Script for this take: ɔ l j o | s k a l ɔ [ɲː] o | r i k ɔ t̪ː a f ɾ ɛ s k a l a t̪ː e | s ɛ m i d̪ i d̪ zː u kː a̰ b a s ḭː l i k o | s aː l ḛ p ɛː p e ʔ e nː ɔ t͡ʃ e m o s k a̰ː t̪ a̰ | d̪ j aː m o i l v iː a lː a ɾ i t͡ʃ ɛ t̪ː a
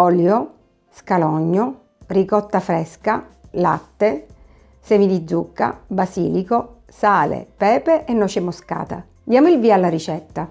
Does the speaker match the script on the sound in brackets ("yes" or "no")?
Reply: yes